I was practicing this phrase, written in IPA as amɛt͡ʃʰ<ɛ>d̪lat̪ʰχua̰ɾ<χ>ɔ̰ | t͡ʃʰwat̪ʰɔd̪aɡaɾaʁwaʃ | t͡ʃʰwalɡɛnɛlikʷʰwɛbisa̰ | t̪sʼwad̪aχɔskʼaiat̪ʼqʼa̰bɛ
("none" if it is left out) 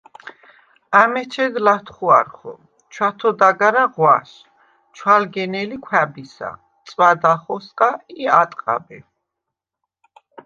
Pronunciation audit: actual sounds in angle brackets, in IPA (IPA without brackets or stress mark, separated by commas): ɛ, χ